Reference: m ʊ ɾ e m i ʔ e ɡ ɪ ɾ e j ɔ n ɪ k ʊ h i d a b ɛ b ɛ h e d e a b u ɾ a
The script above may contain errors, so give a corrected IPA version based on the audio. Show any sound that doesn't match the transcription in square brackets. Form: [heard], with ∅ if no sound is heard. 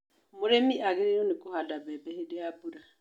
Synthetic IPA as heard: m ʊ ɾ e m i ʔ [a] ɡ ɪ ɾ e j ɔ n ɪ k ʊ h [a] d a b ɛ b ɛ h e d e a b u ɾ a